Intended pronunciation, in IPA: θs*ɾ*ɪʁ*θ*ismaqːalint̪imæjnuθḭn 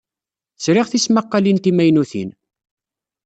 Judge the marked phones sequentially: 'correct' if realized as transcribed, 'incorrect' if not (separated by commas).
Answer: correct, correct